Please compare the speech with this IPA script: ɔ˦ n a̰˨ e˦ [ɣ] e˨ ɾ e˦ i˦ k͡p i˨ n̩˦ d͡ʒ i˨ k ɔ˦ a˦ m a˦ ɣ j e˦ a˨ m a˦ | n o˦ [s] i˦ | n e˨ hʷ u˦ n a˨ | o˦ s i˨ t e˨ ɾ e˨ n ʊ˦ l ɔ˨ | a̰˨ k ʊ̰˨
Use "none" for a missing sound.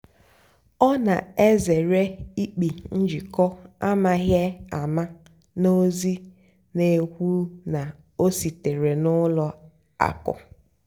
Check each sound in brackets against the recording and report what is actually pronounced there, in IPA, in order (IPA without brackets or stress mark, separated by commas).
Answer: z, z